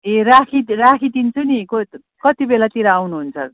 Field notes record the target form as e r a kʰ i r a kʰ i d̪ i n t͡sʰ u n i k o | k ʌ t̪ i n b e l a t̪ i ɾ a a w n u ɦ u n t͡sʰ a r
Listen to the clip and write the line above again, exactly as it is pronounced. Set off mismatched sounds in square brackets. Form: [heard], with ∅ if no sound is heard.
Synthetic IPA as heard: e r a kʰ i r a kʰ i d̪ i n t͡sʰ u n i k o | k ʌ t̪ i [∅] b e l a t̪ i ɾ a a w n u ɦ u n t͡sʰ [ʌ] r